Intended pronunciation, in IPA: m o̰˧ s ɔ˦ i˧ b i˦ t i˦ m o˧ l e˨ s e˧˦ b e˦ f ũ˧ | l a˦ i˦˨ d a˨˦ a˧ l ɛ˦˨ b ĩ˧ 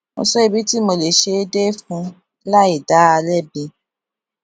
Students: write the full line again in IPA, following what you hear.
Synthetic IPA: m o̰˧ s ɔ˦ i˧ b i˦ t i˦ m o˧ l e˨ ʃ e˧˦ d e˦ f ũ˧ | l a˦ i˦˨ d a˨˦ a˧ l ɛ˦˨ b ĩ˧